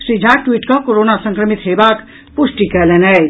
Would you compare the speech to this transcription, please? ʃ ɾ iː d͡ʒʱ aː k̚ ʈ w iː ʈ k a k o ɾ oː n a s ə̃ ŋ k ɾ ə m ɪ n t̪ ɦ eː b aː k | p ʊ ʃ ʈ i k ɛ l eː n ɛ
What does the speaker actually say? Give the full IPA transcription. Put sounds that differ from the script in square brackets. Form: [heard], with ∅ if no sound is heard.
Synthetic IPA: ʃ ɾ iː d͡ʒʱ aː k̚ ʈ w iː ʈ k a k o ɾ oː n a s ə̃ ŋ k ɾ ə m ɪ [∅] t̪ ɦ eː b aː k | p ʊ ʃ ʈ i k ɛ l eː n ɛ